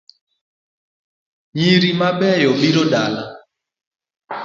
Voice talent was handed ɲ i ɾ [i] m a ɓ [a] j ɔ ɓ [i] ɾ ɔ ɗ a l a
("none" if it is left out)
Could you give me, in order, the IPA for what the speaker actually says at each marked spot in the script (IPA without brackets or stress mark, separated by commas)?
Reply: i, ɛ, i